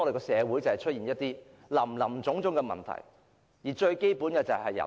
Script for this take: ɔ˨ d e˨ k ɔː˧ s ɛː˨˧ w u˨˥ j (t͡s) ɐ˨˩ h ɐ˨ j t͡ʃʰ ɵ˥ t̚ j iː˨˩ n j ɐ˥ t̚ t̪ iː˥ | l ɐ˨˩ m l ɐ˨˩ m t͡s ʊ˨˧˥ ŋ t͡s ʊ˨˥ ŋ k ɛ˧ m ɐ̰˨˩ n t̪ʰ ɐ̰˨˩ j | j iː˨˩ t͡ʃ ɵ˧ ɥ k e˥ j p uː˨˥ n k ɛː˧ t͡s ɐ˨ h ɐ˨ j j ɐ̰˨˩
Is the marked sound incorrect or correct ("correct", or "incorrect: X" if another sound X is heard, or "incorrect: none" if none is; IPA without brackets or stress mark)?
correct